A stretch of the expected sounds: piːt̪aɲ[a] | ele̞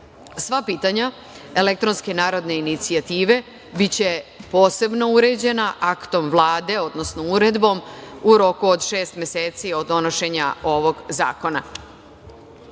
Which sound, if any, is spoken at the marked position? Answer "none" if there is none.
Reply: a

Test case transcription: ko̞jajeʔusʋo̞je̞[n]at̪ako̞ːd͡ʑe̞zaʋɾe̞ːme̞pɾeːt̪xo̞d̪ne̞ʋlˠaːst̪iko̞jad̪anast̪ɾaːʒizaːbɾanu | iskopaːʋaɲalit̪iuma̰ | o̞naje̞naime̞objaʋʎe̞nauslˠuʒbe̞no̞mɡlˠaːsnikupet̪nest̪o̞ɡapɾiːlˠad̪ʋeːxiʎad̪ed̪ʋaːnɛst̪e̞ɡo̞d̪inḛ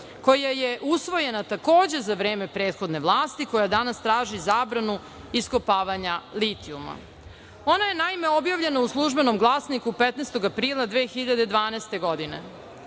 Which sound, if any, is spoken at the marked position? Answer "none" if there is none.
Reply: n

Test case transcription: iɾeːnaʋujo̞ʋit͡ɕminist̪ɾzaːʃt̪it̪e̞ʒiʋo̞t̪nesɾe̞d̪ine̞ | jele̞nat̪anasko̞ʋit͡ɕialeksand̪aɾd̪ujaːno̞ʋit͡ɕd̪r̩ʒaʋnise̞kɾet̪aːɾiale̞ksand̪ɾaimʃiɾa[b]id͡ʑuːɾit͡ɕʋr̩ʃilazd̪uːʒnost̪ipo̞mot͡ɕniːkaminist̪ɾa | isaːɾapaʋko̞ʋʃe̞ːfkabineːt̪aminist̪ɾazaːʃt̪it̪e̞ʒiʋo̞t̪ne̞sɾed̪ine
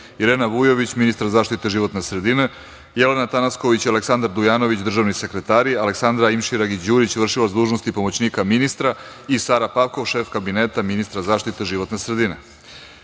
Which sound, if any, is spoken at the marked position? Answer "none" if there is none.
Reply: ɡ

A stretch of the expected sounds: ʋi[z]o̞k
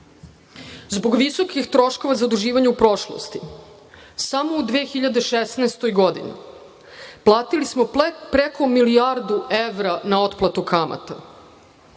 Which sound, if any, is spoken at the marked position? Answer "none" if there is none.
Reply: s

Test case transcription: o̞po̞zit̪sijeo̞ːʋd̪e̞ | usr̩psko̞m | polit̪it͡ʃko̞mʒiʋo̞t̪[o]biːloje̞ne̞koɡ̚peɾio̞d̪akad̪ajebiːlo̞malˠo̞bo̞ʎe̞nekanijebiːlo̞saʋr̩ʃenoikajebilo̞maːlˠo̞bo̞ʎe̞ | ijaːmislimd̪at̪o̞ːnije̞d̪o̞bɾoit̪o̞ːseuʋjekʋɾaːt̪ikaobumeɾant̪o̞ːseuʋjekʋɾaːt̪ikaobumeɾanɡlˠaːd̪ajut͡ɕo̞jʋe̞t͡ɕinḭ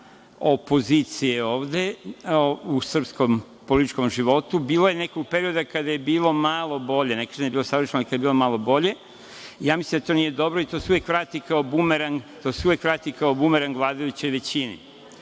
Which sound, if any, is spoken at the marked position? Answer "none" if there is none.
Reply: u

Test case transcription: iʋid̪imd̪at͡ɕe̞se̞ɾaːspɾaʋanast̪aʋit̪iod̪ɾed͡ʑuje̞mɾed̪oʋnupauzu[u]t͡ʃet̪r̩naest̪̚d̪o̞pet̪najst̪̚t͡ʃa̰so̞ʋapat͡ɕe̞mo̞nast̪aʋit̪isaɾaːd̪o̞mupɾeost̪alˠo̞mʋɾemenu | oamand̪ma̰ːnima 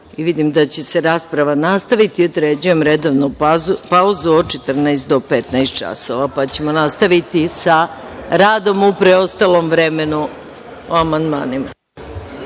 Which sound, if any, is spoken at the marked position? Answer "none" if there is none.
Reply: o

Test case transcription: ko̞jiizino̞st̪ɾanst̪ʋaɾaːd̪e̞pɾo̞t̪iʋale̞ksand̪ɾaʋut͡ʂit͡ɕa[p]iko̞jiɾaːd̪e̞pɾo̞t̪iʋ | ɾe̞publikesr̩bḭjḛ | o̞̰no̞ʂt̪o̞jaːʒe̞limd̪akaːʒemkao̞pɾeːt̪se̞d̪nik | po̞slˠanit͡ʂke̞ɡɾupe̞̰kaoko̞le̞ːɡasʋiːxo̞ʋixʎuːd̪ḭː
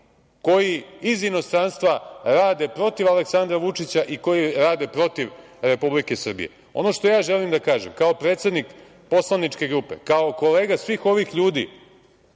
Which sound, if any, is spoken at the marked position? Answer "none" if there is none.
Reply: ʔ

